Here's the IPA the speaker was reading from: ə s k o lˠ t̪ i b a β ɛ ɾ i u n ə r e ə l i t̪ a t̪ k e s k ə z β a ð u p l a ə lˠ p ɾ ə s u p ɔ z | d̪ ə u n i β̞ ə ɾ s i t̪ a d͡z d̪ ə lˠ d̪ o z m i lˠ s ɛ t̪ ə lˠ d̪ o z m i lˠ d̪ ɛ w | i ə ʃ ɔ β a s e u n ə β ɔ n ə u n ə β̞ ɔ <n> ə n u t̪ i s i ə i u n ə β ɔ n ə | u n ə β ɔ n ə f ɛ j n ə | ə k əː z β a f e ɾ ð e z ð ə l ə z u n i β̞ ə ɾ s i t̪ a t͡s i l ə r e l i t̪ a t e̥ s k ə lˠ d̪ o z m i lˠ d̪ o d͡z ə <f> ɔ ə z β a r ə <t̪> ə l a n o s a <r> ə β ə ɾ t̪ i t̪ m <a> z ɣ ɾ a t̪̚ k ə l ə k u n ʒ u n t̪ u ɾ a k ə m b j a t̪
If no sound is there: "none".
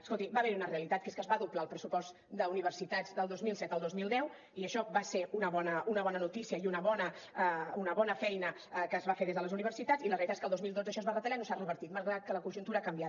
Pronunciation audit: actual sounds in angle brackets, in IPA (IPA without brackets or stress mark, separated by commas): n, ʃ, t̪, r, a